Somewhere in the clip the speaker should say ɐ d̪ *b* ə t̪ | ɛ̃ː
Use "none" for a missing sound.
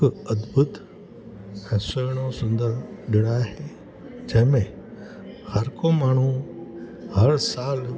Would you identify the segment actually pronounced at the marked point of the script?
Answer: b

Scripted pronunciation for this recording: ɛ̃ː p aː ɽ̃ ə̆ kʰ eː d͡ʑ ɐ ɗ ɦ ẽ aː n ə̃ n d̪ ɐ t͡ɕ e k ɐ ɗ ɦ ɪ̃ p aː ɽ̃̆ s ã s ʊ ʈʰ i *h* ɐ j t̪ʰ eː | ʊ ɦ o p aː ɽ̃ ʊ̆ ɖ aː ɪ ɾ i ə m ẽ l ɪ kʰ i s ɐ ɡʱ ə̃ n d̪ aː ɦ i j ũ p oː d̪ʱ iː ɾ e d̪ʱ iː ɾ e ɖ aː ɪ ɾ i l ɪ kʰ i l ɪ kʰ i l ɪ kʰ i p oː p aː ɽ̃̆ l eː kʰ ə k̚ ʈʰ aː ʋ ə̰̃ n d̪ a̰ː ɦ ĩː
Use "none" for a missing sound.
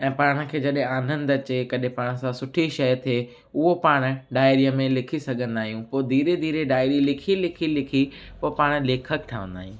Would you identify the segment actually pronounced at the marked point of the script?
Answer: ʃ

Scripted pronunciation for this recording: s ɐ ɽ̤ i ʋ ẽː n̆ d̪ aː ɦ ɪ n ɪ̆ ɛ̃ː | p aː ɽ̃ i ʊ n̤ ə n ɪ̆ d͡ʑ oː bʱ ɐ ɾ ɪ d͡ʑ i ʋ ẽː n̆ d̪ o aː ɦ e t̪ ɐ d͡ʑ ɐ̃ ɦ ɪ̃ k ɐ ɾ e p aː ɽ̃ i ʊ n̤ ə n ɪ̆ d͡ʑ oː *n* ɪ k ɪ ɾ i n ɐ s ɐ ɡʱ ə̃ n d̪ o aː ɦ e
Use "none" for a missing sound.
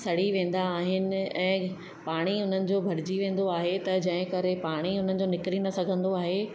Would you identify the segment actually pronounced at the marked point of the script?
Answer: n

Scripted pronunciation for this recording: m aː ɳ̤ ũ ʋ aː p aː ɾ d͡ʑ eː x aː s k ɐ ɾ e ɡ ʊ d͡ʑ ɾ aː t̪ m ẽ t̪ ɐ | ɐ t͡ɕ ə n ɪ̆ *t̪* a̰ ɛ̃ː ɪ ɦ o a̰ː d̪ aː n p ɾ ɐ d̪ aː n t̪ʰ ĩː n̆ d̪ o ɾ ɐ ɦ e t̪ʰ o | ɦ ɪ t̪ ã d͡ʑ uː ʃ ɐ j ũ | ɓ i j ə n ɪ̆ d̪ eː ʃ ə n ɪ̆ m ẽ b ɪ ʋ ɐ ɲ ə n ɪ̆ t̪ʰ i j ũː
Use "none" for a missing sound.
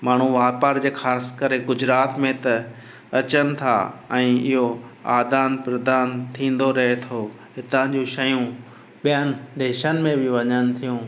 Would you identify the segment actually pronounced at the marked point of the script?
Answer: t̪ʰ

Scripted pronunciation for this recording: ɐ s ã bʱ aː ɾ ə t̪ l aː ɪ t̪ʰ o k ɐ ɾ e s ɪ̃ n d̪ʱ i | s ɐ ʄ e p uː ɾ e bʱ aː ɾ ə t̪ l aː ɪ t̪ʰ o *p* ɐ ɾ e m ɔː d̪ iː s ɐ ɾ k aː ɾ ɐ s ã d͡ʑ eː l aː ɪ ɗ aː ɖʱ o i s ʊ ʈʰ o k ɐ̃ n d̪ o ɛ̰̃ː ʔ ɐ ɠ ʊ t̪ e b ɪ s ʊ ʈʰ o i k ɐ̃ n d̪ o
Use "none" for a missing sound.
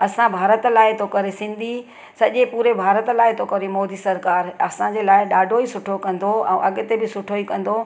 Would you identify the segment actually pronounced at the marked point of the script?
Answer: k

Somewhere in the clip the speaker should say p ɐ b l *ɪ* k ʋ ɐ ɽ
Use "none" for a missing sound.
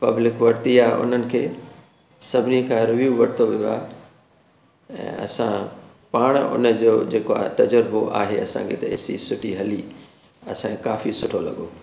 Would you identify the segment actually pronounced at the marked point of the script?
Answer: ɪ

